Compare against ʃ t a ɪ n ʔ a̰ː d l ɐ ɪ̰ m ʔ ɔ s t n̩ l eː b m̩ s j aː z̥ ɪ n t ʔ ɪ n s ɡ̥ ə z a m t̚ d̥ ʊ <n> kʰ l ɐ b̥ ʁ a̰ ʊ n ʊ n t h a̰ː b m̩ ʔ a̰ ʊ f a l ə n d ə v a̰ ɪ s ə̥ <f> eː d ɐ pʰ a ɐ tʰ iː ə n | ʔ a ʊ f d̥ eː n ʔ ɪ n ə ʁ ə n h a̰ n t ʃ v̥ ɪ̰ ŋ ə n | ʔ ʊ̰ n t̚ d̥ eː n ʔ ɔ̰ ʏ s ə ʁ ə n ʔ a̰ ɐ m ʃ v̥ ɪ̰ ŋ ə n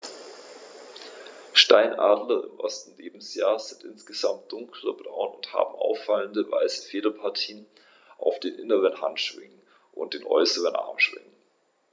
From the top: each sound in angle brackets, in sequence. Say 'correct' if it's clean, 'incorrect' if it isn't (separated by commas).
incorrect, correct